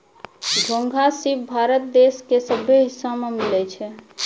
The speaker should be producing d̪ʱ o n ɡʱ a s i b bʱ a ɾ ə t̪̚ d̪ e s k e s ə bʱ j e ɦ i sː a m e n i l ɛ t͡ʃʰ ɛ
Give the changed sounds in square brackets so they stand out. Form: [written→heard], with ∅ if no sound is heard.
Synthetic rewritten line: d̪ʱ o [n→ŋ] ɡʱ a s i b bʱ a ɾ ə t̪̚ d̪ e s k e s ə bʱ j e ɦ i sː a m e [n→m] i l ɛ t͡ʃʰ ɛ